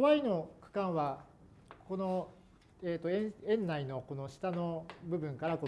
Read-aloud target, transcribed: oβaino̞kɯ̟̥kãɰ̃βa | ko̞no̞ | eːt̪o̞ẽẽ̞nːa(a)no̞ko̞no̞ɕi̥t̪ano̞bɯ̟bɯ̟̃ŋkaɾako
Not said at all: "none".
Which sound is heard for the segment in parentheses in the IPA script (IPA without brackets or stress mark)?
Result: i